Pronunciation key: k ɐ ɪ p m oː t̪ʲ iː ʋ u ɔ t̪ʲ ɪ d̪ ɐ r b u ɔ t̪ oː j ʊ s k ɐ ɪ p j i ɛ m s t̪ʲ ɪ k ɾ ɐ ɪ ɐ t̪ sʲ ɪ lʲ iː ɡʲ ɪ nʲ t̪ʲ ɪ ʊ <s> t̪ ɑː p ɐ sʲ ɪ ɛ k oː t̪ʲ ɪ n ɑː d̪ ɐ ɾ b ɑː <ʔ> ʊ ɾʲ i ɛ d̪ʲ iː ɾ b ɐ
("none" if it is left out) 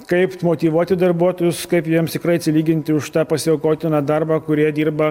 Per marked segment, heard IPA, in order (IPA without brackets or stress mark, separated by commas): ʃ, k